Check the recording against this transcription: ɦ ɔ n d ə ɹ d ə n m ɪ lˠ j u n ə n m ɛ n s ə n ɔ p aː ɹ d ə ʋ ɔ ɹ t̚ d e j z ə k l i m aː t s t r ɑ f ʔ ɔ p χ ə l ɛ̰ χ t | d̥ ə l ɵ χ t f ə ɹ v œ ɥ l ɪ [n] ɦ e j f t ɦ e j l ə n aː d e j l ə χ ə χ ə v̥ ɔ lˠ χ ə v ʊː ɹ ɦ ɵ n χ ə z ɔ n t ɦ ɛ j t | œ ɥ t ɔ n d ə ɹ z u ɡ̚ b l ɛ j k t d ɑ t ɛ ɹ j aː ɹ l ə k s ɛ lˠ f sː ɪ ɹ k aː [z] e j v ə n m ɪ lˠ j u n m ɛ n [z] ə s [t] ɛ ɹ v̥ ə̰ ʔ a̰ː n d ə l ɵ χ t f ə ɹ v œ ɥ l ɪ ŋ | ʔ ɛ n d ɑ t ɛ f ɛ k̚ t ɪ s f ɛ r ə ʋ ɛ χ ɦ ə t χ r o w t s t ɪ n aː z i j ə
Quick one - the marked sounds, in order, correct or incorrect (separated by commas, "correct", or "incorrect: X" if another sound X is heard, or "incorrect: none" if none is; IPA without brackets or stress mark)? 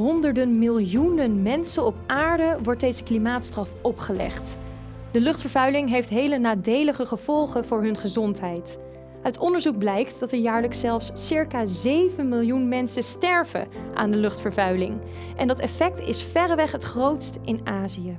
incorrect: ŋ, correct, incorrect: s, correct